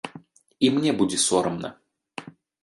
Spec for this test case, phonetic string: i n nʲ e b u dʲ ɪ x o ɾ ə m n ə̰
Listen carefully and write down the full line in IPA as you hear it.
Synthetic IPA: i m nʲ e b u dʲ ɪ s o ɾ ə m n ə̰